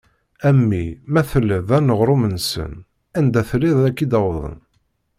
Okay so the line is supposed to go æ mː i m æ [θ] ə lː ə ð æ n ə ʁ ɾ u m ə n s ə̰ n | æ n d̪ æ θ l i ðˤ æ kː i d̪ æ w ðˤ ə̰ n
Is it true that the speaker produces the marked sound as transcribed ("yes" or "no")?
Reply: yes